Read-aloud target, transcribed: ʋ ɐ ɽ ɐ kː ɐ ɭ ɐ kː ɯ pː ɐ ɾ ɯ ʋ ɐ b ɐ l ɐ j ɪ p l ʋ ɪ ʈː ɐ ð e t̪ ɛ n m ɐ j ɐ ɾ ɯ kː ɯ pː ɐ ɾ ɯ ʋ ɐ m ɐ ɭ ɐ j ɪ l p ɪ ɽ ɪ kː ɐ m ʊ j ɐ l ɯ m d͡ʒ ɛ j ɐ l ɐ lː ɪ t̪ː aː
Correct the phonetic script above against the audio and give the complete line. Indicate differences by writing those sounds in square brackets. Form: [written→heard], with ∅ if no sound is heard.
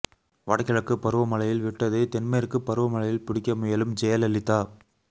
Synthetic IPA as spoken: ʋ ɐ ɽ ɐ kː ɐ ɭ ɐ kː ɯ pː ɐ ɾ ɯ ʋ ɐ [b→m] ɐ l ɐ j ɪ [p→∅] l ʋ ɪ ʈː ɐ ð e t̪ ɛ n m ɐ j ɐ ɾ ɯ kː ɯ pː ɐ ɾ ɯ ʋ ɐ m ɐ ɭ ɐ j ɪ l p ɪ ɽ ɪ kː ɐ m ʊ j ɐ l ɯ m d͡ʒ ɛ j ɐ l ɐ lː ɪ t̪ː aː